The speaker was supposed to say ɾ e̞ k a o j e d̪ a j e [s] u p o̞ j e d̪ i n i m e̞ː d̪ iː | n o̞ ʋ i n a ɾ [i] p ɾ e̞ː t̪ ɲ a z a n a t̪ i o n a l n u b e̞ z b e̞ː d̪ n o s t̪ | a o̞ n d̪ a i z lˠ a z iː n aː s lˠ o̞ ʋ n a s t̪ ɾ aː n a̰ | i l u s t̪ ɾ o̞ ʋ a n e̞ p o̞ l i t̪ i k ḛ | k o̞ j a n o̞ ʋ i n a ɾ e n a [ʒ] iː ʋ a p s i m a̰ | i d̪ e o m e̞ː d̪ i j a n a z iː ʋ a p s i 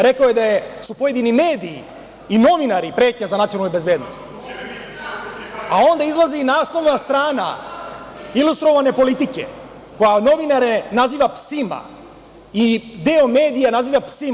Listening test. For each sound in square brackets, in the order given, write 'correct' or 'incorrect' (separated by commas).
correct, correct, incorrect